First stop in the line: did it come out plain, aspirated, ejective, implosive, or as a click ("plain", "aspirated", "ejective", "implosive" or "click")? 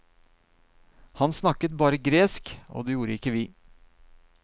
plain